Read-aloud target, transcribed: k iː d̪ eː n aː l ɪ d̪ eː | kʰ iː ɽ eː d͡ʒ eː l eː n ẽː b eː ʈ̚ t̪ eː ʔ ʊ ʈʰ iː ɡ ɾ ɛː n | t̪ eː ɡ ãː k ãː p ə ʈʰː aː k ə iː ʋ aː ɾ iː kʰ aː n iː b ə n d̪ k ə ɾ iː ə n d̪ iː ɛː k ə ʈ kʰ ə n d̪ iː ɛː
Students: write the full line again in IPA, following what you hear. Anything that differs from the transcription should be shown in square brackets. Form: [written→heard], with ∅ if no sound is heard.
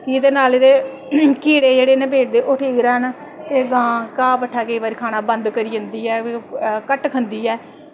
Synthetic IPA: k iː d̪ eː n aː l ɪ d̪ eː | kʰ iː ɽ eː d͡ʒ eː [l→ɽ] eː n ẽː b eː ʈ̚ [t̪→d̪] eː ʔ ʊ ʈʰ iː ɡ ɾ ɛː n | t̪ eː ɡ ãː k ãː p ə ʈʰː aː k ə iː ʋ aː ɾ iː kʰ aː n [iː→aː] b ə n d̪ k ə ɾ iː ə n d̪ iː ɛː k ə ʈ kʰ ə n d̪ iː ɛː